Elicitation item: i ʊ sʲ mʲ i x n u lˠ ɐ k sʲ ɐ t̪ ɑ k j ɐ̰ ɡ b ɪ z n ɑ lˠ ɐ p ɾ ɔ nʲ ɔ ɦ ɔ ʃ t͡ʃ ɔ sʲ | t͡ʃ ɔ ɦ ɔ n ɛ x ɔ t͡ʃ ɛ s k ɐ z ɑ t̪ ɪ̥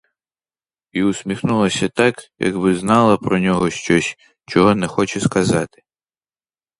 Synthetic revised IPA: i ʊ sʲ mʲ i x n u lˠ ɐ sʲ ɐ t̪ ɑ k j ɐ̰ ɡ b ɪ z n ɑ lˠ ɐ p ɾ ɔ nʲ ɔ ɦ ɔ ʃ t͡ʃ ɔ sʲ | t͡ʃ ɔ ɦ ɔ n ɛ x ɔ t͡ʃ ɛ s k ɐ z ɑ t̪ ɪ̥